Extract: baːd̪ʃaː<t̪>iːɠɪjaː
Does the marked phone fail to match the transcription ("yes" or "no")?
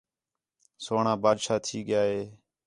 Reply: yes